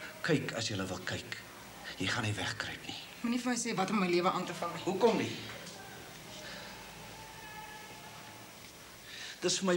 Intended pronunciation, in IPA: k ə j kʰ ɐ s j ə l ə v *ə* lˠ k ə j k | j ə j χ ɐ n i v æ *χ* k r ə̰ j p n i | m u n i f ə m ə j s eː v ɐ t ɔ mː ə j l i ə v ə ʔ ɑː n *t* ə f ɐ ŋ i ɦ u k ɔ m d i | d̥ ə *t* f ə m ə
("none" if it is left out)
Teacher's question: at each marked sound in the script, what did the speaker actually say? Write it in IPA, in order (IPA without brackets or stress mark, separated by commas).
ə, χ, t, s